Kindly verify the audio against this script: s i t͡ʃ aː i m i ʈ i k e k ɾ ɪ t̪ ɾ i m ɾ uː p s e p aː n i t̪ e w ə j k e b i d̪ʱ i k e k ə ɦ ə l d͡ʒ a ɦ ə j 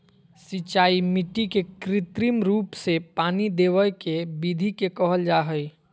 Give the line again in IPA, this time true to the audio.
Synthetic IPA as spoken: s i t͡ʃ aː i m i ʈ i k e k ɾ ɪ t̪ ɾ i m ɾ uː p s e p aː n i d̪ e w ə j k e b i d̪ʱ i k e k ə ɦ ə l d͡ʒ a ɦ ə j